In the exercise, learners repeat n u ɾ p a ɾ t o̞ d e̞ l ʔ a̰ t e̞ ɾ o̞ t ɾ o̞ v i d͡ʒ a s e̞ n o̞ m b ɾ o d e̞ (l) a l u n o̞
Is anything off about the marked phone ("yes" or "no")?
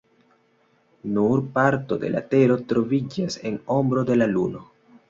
no